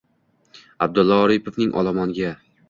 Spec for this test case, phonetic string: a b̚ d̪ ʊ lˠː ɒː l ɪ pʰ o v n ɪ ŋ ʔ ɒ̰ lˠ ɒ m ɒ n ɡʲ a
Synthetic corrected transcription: a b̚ d̪ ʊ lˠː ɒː ɾ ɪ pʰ o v n ɪ ŋ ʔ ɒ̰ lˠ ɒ m ɒ n ɡʲ a